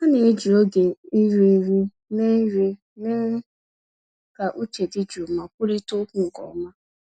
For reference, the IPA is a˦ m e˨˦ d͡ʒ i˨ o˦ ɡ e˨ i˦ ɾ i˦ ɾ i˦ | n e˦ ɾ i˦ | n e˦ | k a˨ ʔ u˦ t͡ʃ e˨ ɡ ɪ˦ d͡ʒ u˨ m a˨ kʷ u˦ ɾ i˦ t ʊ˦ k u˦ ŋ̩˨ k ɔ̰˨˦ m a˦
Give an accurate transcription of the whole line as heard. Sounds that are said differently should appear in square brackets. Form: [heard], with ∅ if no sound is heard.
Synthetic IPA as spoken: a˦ [n] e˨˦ d͡ʒ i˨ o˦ ɡ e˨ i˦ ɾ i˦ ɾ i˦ | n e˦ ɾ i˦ | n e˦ | k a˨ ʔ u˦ t͡ʃ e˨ [d] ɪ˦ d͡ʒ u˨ m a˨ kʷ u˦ ɾ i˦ t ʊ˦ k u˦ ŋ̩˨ k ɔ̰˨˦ m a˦